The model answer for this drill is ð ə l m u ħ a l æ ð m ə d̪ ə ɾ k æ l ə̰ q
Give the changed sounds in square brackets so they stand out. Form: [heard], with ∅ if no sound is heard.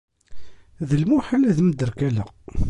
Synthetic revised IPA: ð ə l m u ħ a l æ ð m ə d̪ ə ɾ k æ l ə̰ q